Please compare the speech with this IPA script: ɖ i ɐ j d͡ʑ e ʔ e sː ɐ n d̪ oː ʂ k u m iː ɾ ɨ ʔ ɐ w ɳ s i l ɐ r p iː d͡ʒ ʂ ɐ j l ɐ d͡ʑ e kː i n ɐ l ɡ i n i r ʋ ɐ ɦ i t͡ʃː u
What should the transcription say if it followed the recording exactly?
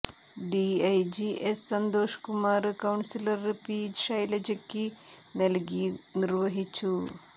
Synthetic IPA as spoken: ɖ i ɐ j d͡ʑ i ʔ e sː ɐ n d̪ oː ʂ k u m aː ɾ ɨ k ɐ w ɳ s i l ɐ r p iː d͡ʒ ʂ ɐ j l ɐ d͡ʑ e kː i n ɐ l ɡ i n i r ʋ ɐ ɦ i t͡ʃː u